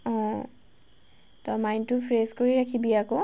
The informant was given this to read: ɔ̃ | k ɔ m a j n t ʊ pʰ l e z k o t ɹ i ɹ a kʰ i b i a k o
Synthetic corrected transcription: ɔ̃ | t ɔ m a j n t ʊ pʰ ɹ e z k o ɹ i ɹ a kʰ i b i a k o